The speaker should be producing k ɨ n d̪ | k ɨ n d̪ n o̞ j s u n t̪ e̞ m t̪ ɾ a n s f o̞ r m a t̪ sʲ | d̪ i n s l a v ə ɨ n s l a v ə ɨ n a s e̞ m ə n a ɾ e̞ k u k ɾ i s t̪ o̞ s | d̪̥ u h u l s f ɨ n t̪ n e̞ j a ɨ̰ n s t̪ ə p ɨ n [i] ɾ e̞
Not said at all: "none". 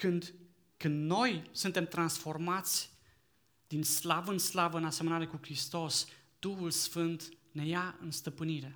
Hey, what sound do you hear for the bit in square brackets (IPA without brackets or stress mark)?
i